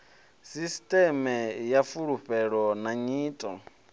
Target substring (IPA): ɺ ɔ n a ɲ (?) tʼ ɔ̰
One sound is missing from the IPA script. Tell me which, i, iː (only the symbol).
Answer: iː